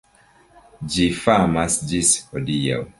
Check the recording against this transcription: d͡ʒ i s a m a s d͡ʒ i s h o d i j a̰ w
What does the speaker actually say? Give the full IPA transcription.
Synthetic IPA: d͡ʒ i f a m a s d͡ʒ i s h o d i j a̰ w